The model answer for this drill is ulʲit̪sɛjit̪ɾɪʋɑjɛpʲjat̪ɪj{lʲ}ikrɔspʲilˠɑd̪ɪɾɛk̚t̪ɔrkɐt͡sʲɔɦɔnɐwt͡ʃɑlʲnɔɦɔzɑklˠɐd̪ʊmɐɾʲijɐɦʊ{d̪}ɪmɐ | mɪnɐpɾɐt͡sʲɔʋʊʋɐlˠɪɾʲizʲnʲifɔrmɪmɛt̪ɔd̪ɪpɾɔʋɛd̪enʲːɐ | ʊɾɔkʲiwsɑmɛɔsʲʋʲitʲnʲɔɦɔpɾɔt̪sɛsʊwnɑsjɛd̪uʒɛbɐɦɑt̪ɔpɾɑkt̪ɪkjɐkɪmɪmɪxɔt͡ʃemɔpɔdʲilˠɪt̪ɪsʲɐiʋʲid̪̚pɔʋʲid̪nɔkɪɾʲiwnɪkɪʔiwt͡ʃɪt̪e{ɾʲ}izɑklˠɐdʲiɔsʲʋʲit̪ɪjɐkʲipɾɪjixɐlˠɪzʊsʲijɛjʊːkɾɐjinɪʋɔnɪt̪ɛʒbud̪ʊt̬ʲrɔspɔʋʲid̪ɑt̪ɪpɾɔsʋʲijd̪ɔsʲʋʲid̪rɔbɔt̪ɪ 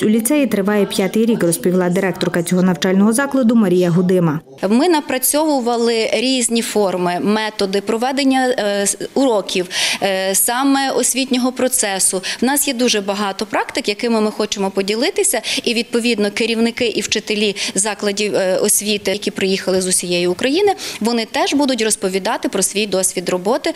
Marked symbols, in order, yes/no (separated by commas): no, yes, no